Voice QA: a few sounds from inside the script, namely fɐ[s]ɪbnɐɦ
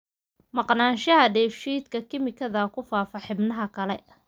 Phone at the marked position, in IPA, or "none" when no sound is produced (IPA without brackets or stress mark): ħ